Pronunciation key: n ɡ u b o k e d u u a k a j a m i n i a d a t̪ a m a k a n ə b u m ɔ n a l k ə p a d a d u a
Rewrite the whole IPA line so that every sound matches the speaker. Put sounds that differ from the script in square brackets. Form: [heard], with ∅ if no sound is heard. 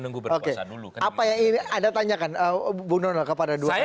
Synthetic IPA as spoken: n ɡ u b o k e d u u a [p] a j a [ŋ] i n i a d a t̪ a [ɲ] a k a n ə b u [n] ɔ n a l k ə p a d a d u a